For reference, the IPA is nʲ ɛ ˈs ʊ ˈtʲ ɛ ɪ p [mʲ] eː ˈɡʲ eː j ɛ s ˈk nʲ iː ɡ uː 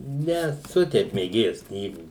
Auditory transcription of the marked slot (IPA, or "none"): mʲ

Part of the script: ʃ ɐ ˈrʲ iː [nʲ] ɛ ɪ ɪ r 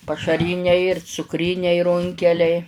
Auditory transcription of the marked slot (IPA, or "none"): nʲ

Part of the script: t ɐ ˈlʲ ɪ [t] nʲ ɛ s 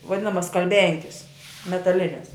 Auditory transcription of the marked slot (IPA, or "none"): none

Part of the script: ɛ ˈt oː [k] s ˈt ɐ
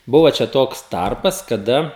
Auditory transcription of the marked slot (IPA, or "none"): k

